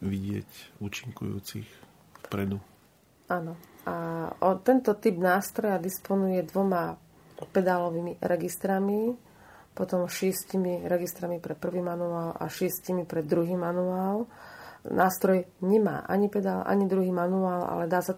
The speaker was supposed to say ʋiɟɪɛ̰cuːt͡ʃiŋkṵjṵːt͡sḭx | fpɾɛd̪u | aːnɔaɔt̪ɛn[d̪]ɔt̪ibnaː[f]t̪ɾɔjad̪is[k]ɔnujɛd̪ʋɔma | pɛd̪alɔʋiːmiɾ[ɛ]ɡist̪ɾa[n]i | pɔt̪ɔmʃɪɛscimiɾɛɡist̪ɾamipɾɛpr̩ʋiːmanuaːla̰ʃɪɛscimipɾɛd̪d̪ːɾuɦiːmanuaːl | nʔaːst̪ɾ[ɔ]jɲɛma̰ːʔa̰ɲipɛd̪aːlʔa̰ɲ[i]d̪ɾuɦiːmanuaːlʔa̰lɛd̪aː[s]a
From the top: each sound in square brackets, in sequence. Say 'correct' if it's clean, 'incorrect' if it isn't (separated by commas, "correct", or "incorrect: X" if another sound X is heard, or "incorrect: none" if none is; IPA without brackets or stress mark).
incorrect: t̪, incorrect: s, incorrect: p, correct, incorrect: m, correct, correct, correct